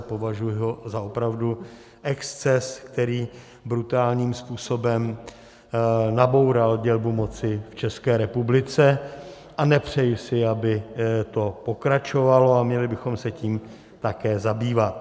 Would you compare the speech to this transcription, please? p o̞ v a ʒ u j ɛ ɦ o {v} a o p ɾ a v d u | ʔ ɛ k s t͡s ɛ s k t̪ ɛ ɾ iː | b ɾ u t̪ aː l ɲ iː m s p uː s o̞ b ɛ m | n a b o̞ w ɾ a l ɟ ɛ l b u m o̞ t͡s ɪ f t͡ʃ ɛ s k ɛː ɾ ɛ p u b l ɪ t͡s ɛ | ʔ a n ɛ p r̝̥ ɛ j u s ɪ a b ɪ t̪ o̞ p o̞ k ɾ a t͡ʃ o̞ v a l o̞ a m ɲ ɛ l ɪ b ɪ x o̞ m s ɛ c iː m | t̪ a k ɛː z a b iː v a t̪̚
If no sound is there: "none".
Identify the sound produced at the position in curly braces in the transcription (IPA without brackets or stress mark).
z